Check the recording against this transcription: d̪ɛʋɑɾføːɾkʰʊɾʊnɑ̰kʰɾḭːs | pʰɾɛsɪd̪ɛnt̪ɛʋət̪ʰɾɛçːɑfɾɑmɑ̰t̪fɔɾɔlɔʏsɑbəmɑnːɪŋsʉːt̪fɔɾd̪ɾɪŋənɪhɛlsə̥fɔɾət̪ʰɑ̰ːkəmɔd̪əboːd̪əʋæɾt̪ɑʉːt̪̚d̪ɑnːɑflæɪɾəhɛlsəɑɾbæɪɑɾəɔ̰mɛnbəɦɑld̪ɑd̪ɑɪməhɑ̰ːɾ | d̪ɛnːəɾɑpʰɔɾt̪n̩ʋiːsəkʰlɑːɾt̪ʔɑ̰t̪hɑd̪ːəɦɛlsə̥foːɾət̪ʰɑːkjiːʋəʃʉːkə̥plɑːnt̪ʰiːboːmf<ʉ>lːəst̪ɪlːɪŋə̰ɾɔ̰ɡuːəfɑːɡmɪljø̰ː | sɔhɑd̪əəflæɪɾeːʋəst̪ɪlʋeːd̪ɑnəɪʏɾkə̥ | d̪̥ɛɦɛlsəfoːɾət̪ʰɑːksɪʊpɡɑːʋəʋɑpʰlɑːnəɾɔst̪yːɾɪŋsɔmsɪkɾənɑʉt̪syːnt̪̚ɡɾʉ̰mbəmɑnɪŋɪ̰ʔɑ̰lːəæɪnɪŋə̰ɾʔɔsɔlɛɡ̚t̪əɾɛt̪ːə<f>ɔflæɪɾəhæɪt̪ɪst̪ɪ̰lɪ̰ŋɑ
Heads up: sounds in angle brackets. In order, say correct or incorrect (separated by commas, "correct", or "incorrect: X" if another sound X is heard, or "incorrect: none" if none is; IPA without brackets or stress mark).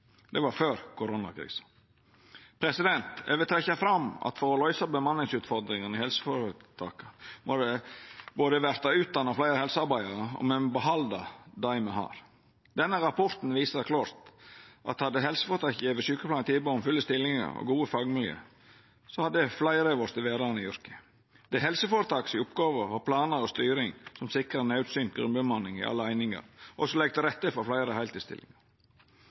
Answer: correct, correct